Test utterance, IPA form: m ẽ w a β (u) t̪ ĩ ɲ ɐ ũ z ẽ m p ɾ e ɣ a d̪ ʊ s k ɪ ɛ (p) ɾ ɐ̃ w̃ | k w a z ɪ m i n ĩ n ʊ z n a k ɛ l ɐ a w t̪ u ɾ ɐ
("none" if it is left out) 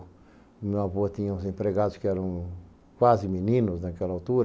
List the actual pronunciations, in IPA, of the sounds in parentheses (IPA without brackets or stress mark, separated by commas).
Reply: o, none